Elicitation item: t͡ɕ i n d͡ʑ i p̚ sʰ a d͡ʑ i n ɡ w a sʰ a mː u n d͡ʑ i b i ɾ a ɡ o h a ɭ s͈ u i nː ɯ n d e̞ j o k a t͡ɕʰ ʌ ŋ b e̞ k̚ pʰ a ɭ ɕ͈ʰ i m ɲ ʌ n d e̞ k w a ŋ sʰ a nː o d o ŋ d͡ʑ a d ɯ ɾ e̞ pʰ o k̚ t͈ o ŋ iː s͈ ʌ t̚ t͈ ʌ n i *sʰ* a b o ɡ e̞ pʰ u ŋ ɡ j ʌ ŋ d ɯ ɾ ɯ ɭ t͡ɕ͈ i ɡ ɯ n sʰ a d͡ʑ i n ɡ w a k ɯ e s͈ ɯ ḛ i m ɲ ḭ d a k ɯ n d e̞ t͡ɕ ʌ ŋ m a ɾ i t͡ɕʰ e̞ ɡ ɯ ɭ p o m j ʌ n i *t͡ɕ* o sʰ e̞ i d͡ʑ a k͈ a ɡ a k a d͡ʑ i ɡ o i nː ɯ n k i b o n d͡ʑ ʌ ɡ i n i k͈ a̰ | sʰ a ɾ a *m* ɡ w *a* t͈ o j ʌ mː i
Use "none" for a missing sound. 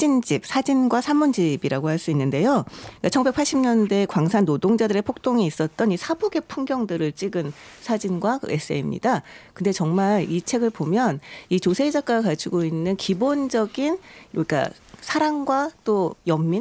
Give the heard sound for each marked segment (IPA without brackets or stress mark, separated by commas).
sʰ, t͡ɕ, ŋ, a